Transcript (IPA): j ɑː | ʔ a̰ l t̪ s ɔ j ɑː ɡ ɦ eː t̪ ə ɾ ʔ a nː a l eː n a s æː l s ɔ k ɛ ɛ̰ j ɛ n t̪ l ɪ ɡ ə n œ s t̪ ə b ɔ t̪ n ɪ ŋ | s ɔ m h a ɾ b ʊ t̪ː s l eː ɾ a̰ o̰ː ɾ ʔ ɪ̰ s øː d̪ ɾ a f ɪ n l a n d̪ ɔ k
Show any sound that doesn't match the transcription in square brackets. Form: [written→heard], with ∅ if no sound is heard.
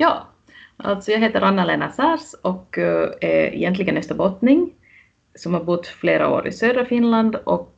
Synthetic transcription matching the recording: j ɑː | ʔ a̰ l t̪ s ɔ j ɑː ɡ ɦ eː t̪ ə ɾ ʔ a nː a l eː n a s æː [l→ɾ] s ɔ k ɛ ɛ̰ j ɛ n t̪ l ɪ ɡ ə n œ s t̪ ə b ɔ t̪ n ɪ ŋ | s ɔ m h a ɾ b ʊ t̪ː [s→f] l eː ɾ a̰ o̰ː ɾ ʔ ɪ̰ s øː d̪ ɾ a f ɪ n l a n d̪ ɔ k